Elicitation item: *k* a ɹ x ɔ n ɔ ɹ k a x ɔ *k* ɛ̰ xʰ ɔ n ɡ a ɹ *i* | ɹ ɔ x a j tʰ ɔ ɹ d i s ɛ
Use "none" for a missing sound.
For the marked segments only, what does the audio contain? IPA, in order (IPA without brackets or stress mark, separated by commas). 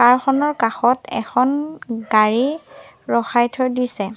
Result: k, t, i